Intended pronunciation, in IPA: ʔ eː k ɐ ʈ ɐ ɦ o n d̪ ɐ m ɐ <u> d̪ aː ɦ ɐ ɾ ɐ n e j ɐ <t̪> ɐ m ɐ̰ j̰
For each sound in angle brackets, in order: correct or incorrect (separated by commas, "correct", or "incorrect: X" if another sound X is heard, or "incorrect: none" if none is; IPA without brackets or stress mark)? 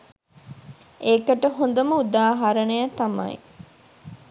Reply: correct, correct